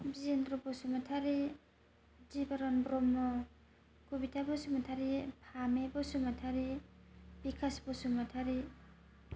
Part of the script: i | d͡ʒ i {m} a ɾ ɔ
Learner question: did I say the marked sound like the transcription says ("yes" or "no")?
no